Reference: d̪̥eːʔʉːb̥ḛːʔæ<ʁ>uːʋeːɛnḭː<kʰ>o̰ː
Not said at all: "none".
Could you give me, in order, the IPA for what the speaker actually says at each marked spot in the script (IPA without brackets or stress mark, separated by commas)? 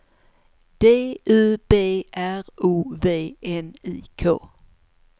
ʁ, kʰ